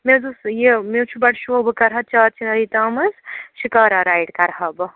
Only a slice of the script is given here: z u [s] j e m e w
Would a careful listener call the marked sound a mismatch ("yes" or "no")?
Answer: no